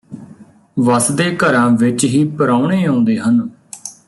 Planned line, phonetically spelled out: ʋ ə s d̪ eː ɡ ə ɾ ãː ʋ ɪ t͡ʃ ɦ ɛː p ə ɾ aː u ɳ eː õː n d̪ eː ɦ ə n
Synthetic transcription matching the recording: ʋ ə s d̪ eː k ə ɾ ãː ʋ ɪ t͡ʃ ɦ iː p ə ɾ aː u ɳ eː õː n d̪ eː ɦ ə n